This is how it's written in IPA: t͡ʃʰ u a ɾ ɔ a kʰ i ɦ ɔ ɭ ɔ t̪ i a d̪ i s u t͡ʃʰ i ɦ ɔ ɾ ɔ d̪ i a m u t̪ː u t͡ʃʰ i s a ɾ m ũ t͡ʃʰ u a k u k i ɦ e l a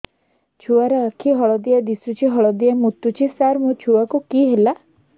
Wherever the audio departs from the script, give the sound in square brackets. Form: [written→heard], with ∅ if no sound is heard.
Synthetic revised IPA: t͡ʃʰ u a ɾ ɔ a kʰ i ɦ ɔ ɭ ɔ [t̪→d̪] i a d̪ i s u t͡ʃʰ i ɦ ɔ [ɾ→ɭ] ɔ d̪ i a m u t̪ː u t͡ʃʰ i s a ɾ m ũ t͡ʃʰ u a k u k i ɦ e l a